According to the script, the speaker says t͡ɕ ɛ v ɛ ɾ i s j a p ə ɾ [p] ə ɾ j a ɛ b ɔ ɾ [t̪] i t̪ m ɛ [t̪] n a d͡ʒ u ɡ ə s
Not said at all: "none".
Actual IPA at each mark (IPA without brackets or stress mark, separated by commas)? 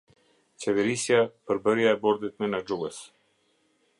b, d̪, none